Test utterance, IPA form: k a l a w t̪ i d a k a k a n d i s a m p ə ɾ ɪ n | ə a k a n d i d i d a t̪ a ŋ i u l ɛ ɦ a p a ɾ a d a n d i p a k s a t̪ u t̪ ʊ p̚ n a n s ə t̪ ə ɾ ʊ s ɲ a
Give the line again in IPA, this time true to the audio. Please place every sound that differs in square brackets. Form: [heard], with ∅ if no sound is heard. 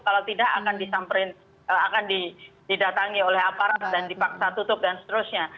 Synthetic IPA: k a l a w t̪ i d a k a k a n d i s a m p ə ɾ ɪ n | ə a k a n d i d i d a t̪ a ŋ i [o] l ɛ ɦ a p a ɾ a d a n d i p a k s a t̪ u t̪ ʊ p̚ [d] a n s ə t̪ ə ɾ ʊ s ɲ a